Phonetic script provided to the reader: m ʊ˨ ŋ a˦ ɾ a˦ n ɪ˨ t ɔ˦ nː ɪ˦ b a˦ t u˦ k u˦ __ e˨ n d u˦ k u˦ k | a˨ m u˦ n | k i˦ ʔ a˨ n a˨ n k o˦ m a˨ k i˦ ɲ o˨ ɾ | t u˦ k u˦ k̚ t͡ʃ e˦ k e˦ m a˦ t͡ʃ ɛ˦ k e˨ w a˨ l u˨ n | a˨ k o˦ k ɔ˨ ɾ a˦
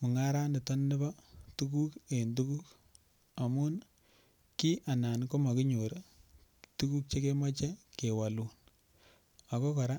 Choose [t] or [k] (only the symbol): k